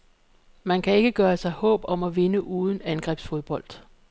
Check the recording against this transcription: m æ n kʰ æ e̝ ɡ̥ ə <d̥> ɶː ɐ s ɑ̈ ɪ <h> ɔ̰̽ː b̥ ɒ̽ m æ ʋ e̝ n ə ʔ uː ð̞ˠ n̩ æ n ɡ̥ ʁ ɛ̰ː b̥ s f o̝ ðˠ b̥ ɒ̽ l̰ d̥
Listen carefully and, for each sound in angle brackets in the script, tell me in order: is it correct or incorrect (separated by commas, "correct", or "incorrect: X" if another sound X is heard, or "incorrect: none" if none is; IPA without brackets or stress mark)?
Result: incorrect: ɡ̥, correct